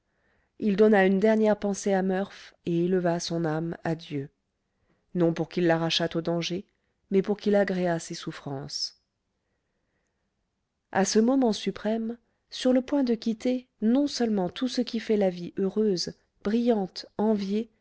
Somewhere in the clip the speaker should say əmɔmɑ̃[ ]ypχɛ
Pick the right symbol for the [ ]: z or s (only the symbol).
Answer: s